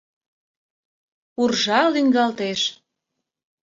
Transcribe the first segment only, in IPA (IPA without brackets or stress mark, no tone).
u